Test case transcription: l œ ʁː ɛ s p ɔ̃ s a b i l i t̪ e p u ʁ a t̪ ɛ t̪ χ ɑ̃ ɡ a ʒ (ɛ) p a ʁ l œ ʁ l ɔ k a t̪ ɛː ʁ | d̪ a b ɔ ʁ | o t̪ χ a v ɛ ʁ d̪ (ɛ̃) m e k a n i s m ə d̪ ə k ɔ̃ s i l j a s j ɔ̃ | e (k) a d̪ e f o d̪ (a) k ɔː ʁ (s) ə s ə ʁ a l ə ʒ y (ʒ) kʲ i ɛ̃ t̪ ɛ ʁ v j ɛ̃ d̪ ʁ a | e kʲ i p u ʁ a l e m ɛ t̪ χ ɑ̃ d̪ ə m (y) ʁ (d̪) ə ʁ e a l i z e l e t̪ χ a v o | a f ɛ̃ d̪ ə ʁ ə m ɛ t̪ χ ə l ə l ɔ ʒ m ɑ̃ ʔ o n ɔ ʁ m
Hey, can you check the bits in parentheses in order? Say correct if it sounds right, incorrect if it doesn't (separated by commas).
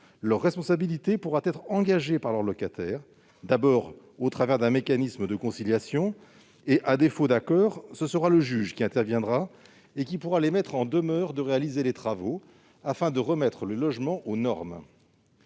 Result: incorrect, correct, incorrect, correct, correct, correct, incorrect, correct